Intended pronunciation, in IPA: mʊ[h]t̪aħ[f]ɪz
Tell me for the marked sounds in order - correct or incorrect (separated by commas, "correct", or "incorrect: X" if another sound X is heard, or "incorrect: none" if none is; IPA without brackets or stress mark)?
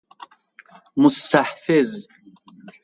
incorrect: s, correct